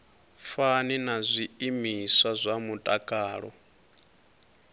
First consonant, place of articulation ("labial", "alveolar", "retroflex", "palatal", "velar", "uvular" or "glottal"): labial